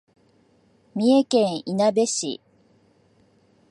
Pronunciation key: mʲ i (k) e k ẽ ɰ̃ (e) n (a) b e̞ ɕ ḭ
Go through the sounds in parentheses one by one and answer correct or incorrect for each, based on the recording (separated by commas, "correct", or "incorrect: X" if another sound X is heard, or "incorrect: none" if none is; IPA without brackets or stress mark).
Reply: incorrect: none, incorrect: i, correct